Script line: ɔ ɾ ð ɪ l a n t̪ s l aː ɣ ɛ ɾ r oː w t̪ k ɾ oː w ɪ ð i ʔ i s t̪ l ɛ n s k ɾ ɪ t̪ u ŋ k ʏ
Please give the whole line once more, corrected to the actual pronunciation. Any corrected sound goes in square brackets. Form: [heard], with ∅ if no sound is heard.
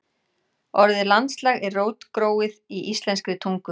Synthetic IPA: ɔ ɾ ð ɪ l a n t̪ s l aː ɣ ɛ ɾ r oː w t̪ k ɾ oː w ɪ ð i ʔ i s t̪ l ɛ n s k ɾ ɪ [t̪ʰ] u ŋ k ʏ